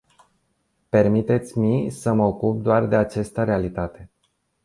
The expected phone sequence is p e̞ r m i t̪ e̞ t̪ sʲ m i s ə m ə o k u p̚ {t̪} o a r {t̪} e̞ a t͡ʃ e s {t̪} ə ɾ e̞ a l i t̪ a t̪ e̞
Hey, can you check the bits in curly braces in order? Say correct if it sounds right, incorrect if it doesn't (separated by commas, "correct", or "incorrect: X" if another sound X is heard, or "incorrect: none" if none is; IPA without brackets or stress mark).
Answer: incorrect: d̪, incorrect: d̪, correct